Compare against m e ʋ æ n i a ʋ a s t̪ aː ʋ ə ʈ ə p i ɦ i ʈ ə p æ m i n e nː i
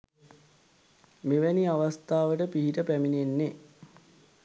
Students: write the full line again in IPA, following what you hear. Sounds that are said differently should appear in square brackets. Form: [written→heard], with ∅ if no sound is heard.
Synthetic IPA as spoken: m e ʋ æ n i a ʋ a s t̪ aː ʋ ə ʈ ə p i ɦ i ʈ ə p æ m i n e nː [i→e]